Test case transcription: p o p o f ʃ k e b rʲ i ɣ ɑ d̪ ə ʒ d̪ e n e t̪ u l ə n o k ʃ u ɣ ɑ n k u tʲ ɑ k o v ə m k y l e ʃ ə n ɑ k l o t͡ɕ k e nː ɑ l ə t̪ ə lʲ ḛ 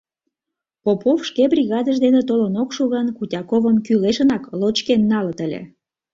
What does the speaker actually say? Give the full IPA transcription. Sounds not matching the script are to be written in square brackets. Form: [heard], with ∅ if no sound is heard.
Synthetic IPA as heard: p o p o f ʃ k e b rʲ i ɣ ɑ d̪ ə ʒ d̪ e n e t̪ [o] l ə n o k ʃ u ɣ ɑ n k u tʲ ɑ k o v ə m k y l e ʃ ə n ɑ k l o t͡ɕ k e nː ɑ l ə t̪ ə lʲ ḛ